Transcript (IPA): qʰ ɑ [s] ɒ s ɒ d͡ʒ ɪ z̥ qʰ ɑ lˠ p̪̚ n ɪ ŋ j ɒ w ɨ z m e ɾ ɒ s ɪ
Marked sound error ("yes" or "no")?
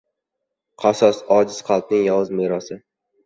no